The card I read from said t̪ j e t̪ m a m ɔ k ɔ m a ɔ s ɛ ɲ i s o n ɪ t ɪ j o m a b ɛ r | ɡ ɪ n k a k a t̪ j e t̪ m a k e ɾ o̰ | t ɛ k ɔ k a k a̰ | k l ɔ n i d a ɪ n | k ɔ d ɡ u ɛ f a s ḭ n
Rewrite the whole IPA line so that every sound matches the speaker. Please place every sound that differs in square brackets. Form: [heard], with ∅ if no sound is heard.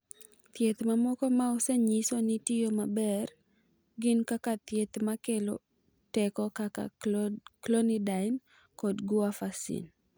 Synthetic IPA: t̪ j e t̪ m a m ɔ k ɔ m a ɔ s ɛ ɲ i s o n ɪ t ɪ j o m a b ɛ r | ɡ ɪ n k a k a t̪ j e t̪ m a k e [l] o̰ | t ɛ k ɔ k a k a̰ | k l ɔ n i d a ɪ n | k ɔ d ɡ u [a] f a s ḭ n